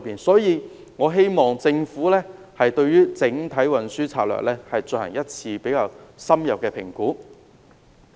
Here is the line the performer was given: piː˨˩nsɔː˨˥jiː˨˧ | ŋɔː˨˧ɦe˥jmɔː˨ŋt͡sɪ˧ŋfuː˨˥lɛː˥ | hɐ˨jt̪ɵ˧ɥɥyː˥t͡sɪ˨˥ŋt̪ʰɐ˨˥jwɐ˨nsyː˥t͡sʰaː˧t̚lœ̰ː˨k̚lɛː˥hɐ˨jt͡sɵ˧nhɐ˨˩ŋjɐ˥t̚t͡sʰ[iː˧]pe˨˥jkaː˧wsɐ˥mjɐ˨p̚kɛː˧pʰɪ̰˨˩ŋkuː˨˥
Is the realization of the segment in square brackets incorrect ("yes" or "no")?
no